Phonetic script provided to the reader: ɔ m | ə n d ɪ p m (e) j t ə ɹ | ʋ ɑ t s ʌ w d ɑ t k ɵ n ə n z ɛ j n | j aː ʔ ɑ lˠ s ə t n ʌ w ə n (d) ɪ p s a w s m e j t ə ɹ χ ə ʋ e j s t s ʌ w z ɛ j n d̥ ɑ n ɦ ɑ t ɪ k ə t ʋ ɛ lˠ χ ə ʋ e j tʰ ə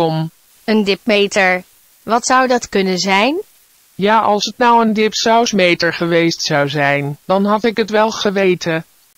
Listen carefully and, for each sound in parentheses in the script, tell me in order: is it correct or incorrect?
correct, correct

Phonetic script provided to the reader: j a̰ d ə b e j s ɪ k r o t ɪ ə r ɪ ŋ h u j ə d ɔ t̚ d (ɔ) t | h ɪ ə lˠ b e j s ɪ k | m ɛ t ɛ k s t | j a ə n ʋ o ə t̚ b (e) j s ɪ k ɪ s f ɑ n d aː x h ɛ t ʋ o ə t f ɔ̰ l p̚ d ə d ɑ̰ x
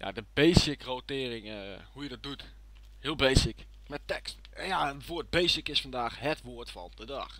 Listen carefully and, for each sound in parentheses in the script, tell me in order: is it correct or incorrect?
incorrect: u, correct

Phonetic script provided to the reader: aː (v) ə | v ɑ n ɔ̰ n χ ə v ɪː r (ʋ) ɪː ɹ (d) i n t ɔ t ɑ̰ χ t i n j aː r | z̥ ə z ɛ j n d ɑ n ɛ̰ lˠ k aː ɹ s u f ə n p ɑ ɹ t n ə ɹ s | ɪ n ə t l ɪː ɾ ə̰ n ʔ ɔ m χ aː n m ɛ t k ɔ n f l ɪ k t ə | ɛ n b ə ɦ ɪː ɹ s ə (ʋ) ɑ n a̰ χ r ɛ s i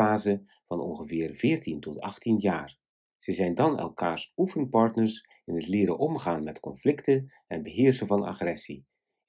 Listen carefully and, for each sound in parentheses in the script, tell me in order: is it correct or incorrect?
incorrect: z, incorrect: v, incorrect: t, incorrect: v

